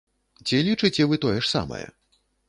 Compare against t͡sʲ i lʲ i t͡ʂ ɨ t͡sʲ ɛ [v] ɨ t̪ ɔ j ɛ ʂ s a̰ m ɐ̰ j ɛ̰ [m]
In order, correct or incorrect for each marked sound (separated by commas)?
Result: correct, incorrect